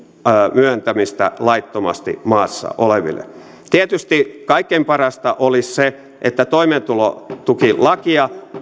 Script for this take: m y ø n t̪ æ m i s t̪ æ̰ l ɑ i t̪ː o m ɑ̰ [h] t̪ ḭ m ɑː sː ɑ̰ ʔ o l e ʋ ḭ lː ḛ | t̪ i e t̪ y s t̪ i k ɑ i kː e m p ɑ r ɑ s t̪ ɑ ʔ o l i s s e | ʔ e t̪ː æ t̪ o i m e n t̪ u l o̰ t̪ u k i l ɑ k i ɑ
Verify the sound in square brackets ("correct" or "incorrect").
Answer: incorrect